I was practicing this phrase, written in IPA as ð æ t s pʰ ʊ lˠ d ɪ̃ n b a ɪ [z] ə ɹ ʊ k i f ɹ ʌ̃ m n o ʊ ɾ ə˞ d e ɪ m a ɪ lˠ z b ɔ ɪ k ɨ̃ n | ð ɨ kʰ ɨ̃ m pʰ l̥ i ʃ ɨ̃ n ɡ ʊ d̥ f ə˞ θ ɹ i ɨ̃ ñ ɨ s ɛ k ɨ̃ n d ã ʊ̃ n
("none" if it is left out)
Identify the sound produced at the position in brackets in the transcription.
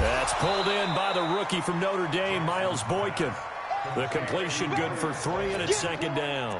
ð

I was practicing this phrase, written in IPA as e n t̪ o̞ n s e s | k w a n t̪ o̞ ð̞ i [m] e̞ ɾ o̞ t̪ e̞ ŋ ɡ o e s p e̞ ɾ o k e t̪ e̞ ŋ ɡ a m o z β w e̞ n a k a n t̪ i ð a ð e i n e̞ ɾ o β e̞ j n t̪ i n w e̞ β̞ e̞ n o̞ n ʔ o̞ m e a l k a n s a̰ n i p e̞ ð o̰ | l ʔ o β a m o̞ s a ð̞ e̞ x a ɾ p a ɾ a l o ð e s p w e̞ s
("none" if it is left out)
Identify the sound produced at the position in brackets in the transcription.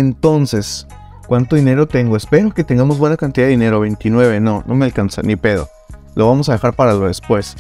n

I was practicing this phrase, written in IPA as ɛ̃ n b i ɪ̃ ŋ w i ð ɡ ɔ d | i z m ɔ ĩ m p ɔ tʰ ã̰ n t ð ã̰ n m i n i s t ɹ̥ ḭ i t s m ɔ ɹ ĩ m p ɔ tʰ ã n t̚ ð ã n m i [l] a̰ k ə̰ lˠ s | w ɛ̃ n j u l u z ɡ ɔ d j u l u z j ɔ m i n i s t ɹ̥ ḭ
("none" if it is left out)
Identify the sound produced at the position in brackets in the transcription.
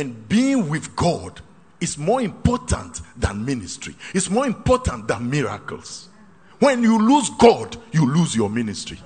ɹ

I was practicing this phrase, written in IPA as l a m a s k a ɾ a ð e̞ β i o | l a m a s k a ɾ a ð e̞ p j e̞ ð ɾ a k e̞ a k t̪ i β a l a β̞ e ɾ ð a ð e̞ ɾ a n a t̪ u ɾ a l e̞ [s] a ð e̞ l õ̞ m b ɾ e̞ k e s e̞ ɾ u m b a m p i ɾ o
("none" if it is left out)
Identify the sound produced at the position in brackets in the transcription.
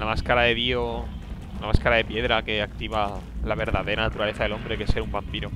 θ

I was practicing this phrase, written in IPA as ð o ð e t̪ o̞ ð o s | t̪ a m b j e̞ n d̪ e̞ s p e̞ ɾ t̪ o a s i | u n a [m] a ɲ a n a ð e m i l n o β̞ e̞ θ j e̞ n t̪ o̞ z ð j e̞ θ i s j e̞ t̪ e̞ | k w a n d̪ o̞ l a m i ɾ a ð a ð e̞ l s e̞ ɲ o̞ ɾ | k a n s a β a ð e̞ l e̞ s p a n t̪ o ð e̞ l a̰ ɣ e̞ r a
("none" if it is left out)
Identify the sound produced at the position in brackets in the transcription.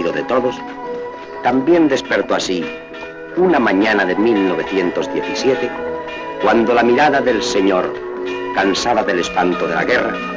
m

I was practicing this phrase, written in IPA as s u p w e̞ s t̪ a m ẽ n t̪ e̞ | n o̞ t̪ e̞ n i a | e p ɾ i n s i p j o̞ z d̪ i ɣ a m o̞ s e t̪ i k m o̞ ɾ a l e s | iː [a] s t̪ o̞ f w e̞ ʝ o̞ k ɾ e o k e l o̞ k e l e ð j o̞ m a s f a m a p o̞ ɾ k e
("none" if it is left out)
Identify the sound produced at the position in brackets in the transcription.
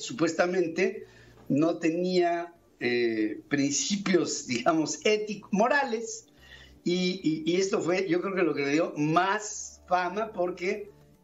e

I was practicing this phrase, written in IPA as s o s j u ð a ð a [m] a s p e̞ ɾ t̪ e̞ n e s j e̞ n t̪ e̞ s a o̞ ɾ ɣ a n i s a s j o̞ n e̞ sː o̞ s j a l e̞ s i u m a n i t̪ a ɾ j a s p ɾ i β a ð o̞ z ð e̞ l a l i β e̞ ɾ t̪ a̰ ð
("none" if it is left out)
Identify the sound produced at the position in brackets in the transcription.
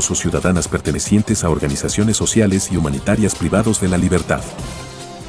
n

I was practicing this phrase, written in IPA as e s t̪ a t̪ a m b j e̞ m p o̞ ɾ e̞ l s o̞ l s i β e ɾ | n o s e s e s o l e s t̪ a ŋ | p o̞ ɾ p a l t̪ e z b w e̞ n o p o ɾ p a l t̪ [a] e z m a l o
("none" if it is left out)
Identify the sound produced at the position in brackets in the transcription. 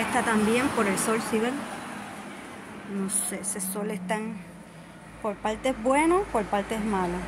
e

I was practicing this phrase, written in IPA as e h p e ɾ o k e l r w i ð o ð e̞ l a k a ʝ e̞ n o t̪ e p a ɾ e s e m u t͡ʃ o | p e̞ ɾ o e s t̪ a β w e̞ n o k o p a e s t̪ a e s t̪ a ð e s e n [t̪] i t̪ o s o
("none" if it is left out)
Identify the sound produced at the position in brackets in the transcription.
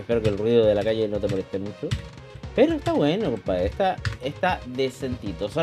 t̪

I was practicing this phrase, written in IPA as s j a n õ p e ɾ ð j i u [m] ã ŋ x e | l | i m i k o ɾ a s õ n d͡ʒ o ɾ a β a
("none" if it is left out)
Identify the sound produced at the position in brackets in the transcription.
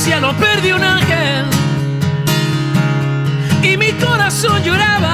n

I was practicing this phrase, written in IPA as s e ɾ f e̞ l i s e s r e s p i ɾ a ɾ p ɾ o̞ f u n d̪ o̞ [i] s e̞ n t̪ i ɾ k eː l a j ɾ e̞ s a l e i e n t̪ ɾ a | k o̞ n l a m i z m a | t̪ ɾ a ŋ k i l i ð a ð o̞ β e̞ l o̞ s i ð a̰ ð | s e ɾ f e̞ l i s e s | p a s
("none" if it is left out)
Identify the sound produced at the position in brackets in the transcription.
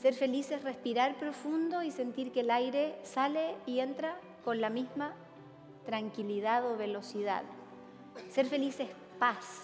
i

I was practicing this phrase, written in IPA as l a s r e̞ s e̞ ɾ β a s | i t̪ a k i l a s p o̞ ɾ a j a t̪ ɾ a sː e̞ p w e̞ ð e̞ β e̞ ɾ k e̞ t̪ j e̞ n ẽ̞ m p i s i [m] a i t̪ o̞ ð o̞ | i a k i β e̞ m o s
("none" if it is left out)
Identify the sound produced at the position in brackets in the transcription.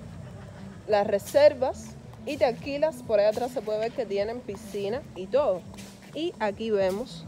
n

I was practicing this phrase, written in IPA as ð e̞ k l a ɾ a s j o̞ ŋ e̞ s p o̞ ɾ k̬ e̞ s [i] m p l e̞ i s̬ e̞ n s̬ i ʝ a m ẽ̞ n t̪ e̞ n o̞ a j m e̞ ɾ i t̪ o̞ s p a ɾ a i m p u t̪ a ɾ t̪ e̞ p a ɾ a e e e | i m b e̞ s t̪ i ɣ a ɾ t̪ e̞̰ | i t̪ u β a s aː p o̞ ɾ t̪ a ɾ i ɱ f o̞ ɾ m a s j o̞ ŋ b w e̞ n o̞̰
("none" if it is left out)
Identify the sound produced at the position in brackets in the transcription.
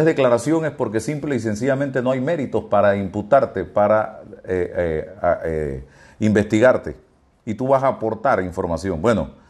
i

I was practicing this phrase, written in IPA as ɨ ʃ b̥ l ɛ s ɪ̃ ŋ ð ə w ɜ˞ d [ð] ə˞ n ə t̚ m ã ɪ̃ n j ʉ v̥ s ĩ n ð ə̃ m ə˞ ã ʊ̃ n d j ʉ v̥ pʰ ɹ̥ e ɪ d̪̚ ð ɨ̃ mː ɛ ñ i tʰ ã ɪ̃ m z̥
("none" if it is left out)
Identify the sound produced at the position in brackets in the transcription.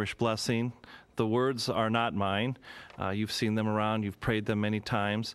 z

